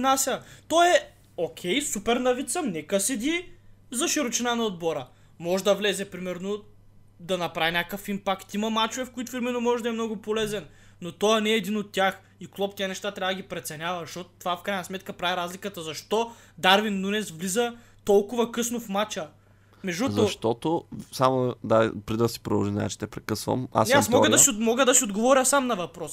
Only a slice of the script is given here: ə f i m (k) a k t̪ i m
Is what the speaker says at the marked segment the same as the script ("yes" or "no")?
no